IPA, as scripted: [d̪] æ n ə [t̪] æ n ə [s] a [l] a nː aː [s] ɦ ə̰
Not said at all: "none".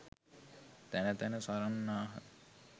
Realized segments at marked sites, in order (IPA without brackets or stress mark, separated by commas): t̪, t̪, s, ɾ, none